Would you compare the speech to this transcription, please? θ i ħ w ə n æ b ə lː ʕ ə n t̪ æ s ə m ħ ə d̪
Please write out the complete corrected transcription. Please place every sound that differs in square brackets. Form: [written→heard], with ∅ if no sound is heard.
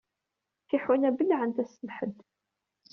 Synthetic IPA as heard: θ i ħ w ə n æ b ə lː ʕ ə n t̪ æ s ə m ħ ə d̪